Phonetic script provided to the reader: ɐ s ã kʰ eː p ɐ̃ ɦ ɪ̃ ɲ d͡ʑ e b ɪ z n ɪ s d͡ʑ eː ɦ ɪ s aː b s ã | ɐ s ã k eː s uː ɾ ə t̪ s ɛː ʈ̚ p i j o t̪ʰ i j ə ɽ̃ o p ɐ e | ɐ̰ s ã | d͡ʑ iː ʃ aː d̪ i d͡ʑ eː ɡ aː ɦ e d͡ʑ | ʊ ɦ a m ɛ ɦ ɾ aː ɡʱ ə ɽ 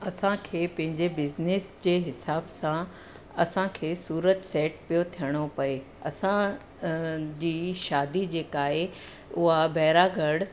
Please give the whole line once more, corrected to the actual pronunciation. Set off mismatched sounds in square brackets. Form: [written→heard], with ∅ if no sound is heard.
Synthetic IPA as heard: ɐ s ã kʰ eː p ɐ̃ ɦ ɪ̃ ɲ d͡ʑ e b ɪ z n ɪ s d͡ʑ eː ɦ ɪ s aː b s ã | ɐ s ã [k→kʰ] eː s uː ɾ ə t̪ s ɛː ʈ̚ p i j o t̪ʰ i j ə ɽ̃ o p ɐ e | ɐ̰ s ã | d͡ʑ iː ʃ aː d̪ i d͡ʑ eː [ɡ→k] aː ɦ e [d͡ʑ→∅] | ʊ ɦ a [m→b] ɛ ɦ ɾ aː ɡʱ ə ɽ